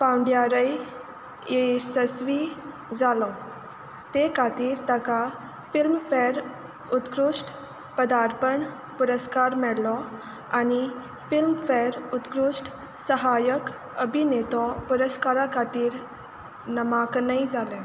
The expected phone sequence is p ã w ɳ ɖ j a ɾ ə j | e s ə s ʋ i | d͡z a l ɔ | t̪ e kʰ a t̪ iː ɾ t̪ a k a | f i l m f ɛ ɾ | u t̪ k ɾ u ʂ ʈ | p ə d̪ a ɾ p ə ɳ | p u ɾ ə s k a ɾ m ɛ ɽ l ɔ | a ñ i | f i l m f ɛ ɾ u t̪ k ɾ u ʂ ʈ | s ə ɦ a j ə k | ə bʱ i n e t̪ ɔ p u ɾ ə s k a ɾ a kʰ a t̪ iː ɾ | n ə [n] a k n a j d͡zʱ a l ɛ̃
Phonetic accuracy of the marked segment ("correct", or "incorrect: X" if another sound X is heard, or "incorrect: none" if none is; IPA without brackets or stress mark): incorrect: m